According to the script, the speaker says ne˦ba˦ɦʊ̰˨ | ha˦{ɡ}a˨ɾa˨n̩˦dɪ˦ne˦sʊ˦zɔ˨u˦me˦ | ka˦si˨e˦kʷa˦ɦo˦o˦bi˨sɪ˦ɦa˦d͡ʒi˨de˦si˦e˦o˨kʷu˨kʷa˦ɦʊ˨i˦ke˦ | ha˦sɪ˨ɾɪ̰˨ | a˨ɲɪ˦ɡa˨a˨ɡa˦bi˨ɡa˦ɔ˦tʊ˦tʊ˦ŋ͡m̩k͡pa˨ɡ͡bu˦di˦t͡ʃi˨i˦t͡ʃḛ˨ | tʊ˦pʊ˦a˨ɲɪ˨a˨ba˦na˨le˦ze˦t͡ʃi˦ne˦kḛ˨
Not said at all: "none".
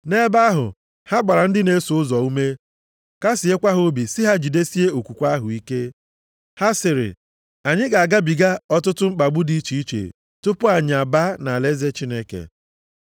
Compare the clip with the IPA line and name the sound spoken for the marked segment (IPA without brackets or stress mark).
ɡ͡b